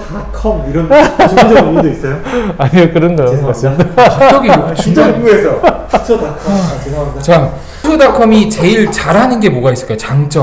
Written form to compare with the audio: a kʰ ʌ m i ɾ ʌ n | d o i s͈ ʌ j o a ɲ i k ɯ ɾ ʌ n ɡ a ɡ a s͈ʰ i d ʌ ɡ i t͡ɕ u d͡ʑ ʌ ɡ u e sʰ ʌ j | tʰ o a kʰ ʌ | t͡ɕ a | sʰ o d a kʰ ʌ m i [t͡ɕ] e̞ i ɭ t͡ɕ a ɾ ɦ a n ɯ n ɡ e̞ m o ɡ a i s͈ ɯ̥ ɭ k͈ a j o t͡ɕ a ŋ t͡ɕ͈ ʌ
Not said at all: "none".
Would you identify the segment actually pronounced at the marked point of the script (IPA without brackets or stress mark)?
t͡ɕ